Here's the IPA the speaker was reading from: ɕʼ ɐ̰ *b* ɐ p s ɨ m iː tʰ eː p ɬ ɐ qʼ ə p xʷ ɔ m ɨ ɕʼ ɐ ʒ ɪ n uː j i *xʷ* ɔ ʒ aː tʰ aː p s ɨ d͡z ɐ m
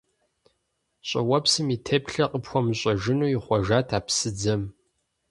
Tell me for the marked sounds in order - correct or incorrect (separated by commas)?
incorrect, incorrect